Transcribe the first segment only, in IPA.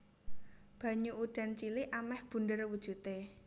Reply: b̥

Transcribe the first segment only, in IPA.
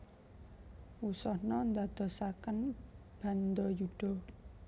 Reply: u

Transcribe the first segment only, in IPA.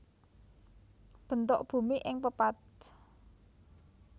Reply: b̥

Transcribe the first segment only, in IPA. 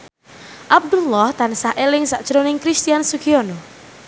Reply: ʔ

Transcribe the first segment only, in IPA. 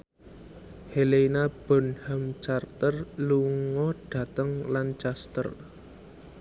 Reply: h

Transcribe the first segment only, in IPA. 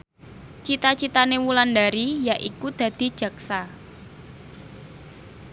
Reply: t͡ʃ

